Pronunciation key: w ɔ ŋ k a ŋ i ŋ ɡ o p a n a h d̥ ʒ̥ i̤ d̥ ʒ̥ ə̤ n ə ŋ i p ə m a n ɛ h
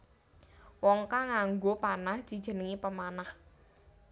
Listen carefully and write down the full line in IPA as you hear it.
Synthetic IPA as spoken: w ɔ ŋ k a ŋ a ŋ ɡ o p a n a h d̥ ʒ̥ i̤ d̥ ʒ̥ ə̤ n ə ŋ i p ə m a n a h